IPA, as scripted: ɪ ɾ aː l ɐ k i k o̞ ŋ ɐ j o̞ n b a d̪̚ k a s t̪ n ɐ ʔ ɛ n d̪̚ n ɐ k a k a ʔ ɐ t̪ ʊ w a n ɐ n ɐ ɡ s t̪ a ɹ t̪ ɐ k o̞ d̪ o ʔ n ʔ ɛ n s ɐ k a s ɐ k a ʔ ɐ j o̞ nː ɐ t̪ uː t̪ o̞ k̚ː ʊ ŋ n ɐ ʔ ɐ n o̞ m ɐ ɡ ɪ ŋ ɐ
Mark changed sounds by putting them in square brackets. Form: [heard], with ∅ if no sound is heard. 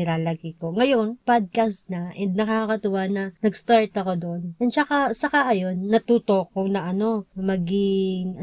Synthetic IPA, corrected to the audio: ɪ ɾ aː l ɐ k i k o̞ ŋ ɐ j o̞ n [p] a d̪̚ k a s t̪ n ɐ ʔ ɛ n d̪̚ n ɐ k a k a [k] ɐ t̪ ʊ w a n ɐ n ɐ ɡ s t̪ a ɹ t̪ ɐ k o̞ d̪ o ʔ n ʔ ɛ n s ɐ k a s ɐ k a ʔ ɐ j o̞ nː ɐ t̪ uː t̪ o̞ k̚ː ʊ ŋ n ɐ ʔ ɐ n o̞ m ɐ ɡ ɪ ŋ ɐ